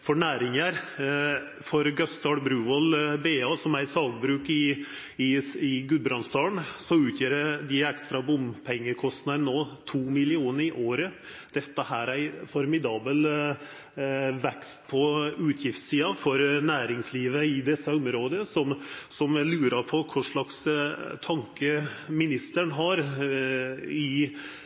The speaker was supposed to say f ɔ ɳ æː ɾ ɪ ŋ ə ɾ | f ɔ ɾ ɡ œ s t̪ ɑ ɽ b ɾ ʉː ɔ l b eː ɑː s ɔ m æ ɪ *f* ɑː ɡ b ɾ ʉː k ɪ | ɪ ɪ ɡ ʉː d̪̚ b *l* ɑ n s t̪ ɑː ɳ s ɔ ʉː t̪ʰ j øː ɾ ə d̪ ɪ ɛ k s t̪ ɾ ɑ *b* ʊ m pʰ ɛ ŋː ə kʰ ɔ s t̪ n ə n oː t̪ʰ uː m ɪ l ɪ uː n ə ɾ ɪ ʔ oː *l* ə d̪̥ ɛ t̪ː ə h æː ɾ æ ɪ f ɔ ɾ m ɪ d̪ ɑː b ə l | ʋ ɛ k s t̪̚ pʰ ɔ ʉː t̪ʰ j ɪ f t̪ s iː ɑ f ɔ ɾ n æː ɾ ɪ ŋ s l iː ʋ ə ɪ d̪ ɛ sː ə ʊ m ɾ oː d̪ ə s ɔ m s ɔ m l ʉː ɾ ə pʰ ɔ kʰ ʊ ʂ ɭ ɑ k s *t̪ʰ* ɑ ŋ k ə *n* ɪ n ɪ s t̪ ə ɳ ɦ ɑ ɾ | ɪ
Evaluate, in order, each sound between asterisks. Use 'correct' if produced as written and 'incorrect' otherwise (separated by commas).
incorrect, incorrect, correct, incorrect, correct, incorrect